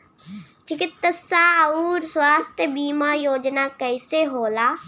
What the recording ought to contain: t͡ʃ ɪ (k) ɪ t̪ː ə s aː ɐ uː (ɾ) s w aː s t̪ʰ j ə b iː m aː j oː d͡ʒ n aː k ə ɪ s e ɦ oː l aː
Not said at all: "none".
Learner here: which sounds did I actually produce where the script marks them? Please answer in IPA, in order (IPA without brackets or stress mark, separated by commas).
k, ɾ